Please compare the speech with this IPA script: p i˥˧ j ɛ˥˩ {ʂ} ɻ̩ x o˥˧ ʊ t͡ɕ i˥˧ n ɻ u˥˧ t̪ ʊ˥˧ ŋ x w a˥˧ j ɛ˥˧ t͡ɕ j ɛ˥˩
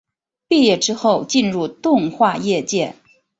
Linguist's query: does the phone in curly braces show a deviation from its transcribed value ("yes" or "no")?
yes